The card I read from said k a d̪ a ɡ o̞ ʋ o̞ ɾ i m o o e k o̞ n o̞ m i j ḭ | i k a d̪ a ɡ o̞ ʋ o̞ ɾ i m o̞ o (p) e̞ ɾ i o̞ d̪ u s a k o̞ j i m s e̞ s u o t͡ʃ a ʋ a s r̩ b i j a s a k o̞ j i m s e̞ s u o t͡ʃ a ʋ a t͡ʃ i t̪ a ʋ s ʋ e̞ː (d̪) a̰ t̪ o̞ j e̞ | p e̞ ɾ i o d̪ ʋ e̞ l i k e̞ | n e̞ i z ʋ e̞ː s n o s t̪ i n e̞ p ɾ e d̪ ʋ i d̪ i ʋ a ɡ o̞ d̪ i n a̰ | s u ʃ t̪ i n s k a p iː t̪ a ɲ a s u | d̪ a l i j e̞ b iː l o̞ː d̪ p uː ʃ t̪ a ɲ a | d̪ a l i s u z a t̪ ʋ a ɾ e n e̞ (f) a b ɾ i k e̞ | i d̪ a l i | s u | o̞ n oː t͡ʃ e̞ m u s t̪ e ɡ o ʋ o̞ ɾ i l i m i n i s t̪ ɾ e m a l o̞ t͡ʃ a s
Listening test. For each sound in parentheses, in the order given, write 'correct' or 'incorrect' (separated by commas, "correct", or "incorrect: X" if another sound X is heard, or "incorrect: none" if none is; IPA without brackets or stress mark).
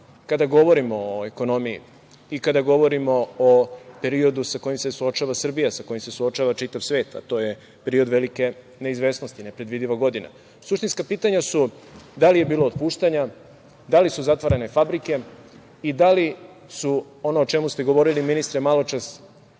correct, incorrect: t̪, correct